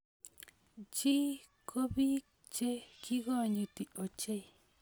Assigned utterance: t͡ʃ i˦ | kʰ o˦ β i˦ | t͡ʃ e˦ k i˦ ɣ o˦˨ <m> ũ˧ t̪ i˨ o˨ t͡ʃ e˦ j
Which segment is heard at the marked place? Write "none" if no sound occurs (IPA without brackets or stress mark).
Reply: ɲ